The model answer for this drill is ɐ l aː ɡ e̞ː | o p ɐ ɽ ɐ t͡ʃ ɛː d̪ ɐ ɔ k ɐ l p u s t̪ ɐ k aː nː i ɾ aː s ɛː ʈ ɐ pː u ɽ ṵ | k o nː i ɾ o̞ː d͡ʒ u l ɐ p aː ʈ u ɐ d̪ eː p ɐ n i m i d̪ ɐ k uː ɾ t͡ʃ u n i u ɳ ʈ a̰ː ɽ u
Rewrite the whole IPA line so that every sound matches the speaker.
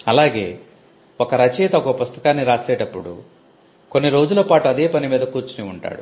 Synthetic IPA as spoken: ɐ l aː ɡ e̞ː | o k ɐ ɾ ɐ t͡ʃ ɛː t̪ ɐ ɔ k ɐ p u s t̪ ɐ k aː nː i ɾ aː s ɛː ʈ ɐ pː u ɽ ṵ | k o nː i ɾ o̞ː d͡ʒ u l ɐ p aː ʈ u ɐ d̪ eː p ɐ n i m iː d̪ ɐ k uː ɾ t͡ʃ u n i u ɳ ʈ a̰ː ɽ u